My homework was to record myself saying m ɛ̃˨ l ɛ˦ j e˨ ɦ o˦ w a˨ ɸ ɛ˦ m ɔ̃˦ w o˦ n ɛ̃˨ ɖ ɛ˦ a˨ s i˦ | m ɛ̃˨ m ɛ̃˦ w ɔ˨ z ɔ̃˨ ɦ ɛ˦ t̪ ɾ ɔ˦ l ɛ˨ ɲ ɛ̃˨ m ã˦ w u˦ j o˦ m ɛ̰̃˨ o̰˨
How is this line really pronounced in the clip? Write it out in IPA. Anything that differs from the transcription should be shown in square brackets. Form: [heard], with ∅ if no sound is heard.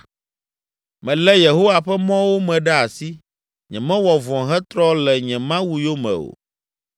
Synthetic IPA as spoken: m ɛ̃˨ l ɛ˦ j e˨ ɦ o˦ w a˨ ɸ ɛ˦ m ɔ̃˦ w o˦ [m] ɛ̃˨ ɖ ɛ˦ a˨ s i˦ | [ɲ] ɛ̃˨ m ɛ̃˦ w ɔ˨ [v] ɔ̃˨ ɦ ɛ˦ t̪ ɾ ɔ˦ l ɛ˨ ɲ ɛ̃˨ m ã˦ w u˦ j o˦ m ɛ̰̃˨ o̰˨